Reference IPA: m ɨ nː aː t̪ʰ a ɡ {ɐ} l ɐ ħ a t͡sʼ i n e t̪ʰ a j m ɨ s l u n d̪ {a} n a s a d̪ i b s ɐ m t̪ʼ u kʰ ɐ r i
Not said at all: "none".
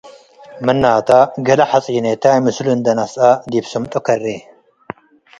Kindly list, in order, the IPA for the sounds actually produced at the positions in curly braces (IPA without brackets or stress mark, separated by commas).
ɐ, ɐ